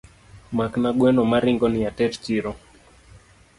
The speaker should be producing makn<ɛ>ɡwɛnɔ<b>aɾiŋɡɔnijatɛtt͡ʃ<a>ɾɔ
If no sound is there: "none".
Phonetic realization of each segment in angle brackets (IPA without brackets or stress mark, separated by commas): a, m, i